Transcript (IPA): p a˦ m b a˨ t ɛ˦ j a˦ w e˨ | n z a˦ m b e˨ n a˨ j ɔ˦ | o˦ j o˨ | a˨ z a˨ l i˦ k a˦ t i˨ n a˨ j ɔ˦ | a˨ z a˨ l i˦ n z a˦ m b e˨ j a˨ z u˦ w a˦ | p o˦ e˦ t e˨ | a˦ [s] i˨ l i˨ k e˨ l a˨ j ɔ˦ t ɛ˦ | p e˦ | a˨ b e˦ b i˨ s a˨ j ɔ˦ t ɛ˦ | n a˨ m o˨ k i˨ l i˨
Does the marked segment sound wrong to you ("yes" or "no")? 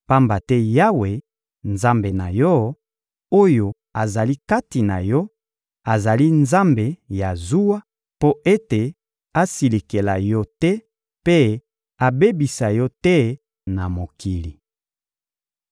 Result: no